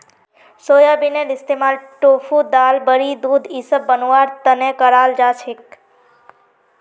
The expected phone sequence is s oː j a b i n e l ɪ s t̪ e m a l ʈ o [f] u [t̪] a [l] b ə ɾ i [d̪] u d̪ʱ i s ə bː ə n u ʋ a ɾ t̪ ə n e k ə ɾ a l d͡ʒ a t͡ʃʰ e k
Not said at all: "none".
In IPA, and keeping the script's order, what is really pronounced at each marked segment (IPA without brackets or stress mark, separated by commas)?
f, d̪, l, d̪